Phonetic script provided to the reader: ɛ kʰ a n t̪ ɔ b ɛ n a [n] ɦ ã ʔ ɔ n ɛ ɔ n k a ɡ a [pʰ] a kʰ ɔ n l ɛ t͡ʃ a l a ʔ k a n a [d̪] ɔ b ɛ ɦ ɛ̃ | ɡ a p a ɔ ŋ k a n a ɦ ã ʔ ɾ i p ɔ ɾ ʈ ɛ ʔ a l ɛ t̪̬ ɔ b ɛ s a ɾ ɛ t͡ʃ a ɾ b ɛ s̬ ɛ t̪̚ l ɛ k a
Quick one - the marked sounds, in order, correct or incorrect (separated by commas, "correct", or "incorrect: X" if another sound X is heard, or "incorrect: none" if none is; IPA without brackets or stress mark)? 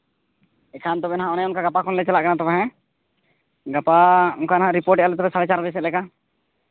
incorrect: none, incorrect: p, incorrect: t̪